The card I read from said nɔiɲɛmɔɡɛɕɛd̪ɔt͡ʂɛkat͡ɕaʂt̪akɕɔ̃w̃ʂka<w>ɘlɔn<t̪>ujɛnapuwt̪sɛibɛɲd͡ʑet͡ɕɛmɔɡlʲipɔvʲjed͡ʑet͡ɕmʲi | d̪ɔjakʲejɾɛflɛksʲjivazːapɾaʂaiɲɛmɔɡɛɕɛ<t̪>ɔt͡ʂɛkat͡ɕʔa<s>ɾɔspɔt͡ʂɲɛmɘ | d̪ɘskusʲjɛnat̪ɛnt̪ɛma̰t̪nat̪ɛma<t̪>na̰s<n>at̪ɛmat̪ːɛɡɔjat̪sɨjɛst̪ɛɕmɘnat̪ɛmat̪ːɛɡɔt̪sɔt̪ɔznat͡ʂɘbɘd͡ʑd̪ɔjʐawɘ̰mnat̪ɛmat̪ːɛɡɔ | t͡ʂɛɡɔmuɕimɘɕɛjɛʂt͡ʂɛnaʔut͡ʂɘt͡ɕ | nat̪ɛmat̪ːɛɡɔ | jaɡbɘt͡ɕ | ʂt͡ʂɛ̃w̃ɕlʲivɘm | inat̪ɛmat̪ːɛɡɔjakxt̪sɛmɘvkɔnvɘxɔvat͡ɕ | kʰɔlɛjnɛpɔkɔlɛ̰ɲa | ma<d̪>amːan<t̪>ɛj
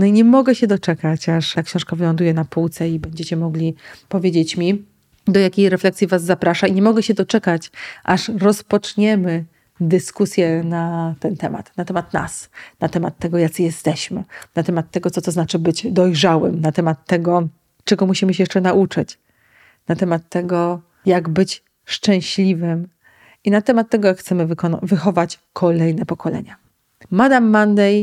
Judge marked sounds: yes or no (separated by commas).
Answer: no, no, no, no, yes, yes, yes, no